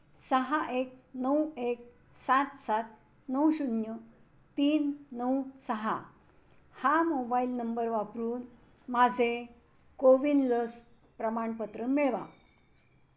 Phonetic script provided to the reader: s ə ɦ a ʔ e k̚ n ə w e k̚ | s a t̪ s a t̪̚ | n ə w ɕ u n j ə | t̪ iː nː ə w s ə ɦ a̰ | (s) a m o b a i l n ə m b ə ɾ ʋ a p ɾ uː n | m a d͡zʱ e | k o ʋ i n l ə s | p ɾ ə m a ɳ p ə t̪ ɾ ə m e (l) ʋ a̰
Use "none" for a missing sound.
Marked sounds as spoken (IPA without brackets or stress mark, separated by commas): h, ɭ